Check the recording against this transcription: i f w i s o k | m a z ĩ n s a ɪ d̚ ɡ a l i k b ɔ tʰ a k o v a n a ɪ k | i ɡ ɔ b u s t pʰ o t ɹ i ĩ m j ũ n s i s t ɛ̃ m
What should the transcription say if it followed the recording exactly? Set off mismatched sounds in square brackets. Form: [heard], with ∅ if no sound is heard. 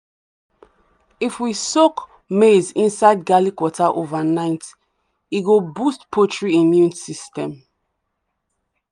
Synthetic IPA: i f w i s o k | m [e] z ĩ n s a ɪ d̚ ɡ a l i k [w] ɔ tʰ a [ʔ] o v a n a ɪ [t] | i ɡ [o] b u s t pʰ o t ɹ i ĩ m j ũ n s i s t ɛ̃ m